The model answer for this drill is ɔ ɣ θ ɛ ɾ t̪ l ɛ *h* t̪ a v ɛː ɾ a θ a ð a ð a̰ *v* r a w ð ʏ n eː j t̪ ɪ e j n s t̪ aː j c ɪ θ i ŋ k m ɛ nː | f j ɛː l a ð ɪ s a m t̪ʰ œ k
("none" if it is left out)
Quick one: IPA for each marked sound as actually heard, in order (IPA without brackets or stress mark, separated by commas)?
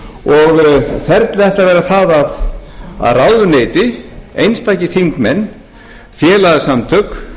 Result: h, ð